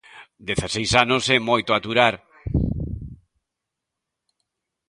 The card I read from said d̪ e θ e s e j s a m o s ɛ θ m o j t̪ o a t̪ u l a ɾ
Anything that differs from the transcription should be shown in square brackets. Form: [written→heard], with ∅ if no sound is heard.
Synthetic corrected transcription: d̪ e θ [e→a] s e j s a [m→n] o s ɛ [θ→∅] m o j t̪ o a t̪ u [l→ɾ] a ɾ